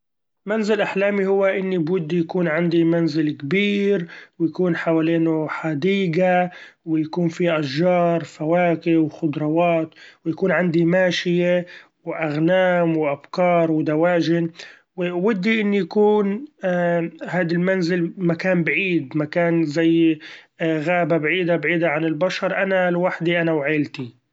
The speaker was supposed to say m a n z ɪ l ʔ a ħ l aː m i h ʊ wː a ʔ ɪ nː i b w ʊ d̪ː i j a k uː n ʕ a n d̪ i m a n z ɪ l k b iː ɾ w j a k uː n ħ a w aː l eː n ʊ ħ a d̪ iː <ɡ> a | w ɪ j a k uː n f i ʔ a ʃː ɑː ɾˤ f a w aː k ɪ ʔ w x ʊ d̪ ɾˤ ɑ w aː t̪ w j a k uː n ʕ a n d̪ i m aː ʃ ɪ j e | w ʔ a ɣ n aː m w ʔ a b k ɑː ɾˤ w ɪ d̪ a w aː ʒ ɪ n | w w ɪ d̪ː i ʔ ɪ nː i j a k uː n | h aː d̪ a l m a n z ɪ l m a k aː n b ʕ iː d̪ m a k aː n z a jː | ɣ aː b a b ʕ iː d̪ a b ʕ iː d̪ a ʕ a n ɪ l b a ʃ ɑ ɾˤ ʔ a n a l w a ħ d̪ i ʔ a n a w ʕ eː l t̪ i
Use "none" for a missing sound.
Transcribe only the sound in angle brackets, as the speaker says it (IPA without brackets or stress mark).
ɡ